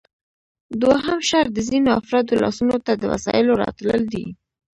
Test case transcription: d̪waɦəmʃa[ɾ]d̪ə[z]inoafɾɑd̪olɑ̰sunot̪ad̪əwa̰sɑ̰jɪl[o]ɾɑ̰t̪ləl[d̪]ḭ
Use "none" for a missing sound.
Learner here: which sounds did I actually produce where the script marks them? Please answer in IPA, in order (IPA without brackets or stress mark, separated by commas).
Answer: ɾ, z, o, d̪